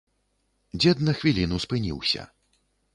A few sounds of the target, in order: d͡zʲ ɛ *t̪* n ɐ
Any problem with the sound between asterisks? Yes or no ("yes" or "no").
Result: yes